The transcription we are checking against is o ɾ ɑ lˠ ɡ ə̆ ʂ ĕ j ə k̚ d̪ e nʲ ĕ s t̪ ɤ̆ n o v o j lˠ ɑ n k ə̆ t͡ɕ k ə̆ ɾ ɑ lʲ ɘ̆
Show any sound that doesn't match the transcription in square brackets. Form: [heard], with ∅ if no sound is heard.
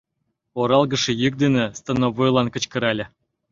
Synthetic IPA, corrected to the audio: o ɾ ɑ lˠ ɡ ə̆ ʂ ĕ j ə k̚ d̪ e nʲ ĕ s t̪ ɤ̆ n o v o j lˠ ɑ n k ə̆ t͡ɕ k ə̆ ɾ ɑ lʲ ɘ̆